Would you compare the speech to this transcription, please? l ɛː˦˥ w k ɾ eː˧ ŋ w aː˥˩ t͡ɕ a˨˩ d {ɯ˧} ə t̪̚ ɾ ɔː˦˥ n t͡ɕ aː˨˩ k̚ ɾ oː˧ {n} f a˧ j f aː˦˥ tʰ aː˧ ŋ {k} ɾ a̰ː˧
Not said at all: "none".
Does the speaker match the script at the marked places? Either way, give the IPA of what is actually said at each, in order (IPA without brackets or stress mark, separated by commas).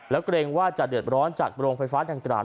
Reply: ɯ˨˩, ŋ, k